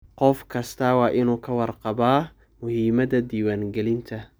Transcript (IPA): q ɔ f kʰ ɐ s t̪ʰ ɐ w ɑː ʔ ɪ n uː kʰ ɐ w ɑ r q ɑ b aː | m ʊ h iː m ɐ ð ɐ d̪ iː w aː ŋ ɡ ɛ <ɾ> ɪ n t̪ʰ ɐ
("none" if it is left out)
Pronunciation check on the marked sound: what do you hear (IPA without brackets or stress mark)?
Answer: l